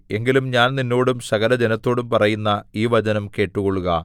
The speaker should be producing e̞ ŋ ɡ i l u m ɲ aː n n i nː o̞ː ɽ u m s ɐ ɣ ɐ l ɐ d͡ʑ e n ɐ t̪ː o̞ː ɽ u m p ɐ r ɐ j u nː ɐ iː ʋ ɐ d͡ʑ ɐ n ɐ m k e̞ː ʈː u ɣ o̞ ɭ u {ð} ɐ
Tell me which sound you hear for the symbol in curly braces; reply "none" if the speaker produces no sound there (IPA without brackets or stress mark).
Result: ɣ